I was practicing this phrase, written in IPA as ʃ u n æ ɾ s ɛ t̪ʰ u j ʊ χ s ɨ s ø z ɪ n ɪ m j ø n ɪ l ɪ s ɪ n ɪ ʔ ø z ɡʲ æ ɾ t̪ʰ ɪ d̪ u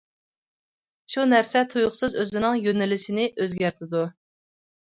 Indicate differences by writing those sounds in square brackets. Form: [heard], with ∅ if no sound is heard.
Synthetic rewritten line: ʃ u n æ ɾ s ɛ t̪ʰ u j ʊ χ s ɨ [z] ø z ɪ n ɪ [ŋ] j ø n ɪ l ɪ s ɪ n ɪ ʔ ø z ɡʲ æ ɾ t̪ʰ ɪ d̪ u